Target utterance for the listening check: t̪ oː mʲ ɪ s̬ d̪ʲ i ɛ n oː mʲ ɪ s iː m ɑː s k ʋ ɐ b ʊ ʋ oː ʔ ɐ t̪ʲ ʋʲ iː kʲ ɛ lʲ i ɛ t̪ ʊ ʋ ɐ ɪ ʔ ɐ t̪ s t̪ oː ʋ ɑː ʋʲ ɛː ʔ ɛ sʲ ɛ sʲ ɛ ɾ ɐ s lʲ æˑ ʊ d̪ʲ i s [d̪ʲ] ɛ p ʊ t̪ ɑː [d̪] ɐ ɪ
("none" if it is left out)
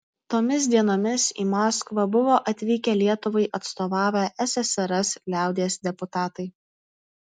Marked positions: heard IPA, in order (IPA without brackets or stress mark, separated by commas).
d̪ʲ, t̪